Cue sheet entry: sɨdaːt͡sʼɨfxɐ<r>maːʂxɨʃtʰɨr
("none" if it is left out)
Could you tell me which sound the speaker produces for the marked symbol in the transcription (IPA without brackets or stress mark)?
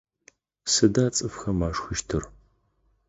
none